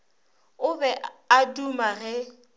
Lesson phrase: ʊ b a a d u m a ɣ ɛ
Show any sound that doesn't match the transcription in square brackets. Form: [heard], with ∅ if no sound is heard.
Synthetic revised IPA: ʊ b [ɛ] a d u m a ɣ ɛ